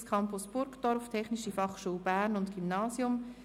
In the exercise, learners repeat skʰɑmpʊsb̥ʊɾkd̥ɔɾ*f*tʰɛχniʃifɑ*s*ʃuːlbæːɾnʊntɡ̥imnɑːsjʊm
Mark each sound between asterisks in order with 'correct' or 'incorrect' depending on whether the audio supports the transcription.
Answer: correct, incorrect

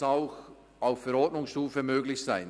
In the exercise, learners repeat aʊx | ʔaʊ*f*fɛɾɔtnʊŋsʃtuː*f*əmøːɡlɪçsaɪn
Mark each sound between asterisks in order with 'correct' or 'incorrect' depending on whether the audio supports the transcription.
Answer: correct, correct

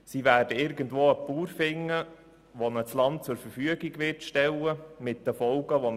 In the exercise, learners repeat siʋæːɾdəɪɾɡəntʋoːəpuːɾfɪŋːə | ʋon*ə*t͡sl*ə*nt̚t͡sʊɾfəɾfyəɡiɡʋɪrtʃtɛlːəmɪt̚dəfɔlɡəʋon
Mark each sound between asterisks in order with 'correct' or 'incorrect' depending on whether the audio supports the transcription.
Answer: correct, incorrect

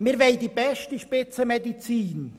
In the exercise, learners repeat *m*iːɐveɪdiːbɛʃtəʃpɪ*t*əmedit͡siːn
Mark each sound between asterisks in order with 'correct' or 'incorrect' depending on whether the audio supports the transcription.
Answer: correct, incorrect

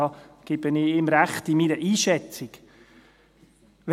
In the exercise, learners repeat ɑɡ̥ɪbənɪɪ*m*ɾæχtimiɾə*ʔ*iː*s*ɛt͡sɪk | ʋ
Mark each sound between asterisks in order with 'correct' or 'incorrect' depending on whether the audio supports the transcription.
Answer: correct, correct, incorrect

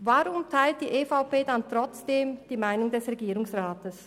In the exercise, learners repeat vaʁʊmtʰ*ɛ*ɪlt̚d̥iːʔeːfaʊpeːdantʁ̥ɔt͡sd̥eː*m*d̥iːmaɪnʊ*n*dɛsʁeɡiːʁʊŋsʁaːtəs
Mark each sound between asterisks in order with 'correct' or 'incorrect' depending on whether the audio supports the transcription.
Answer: incorrect, correct, incorrect

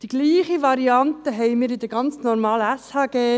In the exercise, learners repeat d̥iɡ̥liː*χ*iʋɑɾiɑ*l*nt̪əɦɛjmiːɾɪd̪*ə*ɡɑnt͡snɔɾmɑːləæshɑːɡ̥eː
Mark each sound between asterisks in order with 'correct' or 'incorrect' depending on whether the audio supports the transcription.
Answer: correct, incorrect, correct

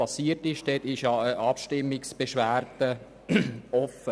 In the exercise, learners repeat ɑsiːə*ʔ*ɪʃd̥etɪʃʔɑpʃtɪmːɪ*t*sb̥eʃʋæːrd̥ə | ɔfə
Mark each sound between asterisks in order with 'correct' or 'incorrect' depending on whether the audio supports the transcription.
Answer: incorrect, incorrect

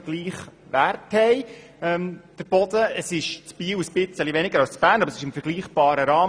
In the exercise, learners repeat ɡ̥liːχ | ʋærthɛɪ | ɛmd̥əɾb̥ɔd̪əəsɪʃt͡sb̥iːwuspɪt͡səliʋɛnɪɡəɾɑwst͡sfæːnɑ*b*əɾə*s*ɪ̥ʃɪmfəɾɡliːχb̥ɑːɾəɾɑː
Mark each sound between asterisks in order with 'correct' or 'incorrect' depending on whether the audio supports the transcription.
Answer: correct, correct

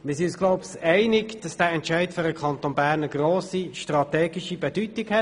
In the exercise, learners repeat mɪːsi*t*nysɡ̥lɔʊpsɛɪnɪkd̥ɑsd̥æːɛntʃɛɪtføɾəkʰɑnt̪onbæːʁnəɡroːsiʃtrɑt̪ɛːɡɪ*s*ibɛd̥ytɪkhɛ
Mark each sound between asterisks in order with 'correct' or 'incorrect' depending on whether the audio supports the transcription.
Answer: incorrect, incorrect

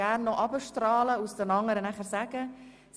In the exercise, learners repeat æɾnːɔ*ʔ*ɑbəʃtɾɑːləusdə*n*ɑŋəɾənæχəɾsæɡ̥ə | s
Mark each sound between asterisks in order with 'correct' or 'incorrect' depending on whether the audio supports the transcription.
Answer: correct, correct

